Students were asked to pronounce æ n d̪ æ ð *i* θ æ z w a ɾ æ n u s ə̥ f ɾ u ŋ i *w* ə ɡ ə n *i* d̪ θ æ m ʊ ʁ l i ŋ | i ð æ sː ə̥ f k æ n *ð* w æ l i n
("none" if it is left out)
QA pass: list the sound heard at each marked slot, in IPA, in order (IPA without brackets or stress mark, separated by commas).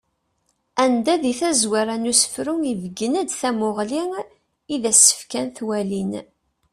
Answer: i, v, æ, θ